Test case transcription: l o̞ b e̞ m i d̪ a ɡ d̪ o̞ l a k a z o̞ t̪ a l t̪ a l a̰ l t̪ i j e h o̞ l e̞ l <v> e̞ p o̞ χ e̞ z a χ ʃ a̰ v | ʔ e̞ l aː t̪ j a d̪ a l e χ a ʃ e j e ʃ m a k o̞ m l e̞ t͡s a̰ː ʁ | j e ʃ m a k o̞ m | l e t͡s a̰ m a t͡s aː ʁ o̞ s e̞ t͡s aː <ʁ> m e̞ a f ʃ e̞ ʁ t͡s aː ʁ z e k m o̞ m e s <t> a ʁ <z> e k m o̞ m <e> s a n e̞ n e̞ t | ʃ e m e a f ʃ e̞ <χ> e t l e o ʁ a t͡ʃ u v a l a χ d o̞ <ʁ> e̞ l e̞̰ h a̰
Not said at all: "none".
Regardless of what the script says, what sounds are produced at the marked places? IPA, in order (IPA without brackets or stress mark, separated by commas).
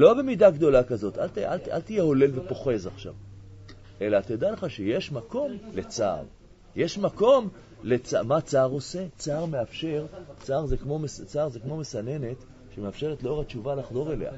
v, ʁ, t͡s, z, e, ʁ, ʁ